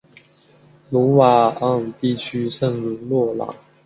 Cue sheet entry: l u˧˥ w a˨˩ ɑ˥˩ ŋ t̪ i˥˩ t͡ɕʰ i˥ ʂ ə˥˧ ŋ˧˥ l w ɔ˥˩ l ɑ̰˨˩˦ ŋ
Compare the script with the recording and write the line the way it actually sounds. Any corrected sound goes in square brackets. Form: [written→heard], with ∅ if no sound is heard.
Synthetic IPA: l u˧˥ w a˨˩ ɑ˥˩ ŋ t̪ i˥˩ t͡ɕʰ [i˥→y˥] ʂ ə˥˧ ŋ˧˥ l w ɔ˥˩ l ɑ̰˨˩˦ ŋ